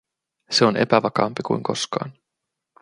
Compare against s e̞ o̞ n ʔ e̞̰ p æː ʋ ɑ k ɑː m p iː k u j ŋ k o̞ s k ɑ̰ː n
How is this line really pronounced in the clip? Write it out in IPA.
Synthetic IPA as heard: s e̞ o̞ n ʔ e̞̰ p æ ʋ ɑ k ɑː m p i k u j ŋ k o̞ s k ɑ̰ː n